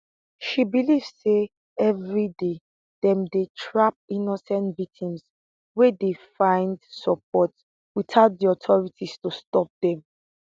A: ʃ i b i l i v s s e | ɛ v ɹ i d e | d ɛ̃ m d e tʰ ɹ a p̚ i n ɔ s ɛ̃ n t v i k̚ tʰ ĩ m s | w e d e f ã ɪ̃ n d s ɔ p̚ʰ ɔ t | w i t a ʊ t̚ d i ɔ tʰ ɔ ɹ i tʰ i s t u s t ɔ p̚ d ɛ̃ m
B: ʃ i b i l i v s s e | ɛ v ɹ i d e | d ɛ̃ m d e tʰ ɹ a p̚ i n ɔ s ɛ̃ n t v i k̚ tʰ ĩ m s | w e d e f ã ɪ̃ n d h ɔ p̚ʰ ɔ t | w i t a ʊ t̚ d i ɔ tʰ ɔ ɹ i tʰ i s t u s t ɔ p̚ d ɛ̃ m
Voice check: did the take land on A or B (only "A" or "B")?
A